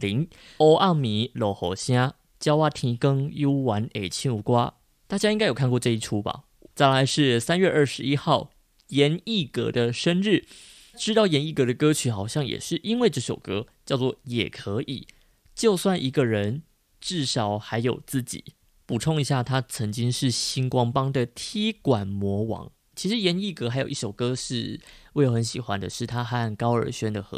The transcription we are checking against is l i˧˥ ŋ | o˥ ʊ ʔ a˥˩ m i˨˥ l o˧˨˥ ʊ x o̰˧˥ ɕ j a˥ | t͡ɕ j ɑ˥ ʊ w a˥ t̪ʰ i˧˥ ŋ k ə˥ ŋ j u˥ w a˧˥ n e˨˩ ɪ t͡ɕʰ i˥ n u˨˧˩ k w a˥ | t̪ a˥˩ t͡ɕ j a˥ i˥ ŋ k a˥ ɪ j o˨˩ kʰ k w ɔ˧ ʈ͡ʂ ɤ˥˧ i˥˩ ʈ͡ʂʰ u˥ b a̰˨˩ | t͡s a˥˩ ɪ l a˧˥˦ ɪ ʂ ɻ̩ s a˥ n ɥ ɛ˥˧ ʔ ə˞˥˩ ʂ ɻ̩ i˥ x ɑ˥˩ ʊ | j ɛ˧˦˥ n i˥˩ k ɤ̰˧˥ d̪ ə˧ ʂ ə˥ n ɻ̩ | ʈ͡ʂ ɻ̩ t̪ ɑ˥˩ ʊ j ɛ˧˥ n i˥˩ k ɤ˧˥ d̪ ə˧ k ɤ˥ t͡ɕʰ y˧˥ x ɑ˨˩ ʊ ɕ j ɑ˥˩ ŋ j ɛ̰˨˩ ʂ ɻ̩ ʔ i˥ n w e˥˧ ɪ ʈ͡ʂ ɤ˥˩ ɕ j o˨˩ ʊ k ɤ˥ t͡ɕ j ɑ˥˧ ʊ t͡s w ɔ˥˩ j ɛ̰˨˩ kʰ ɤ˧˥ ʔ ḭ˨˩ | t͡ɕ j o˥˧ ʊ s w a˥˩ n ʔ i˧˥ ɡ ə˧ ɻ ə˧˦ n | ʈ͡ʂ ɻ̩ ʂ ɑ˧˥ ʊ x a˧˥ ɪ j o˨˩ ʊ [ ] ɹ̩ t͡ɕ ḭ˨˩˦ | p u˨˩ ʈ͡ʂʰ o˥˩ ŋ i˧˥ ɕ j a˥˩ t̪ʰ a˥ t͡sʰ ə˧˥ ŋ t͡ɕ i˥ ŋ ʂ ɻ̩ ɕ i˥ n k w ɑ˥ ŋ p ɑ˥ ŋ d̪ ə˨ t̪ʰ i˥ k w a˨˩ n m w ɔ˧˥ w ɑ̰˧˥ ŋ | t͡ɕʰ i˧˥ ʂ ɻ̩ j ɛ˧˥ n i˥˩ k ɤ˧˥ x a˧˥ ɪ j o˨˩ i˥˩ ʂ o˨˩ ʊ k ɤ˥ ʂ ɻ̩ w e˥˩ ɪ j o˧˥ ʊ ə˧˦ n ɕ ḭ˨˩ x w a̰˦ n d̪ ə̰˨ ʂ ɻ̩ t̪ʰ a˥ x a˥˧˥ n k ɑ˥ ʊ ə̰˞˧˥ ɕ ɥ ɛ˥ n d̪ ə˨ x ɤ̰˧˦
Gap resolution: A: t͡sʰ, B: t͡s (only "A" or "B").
B